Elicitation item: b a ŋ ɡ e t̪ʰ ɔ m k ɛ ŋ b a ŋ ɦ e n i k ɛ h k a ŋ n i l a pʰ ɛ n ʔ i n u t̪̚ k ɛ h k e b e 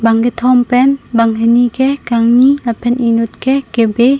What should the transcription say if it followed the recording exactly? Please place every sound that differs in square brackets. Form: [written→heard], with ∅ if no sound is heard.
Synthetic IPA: b a ŋ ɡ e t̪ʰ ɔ m [k→p] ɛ [ŋ→n] b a ŋ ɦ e n i k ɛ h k a ŋ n i l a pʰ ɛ n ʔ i n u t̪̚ k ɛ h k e b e